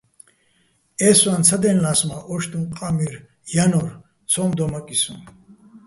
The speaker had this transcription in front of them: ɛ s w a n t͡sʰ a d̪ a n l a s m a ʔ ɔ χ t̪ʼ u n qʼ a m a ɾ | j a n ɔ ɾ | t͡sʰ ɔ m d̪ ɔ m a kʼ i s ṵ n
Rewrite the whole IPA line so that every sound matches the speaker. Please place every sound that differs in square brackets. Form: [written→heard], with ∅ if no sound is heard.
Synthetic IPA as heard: ɛ s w a n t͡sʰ a d̪ [a→ɛ] n l a s m a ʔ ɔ [χ→ʃ] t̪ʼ u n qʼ a m [a→i] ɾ | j a n ɔ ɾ | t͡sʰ ɔ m d̪ ɔ m a kʼ i s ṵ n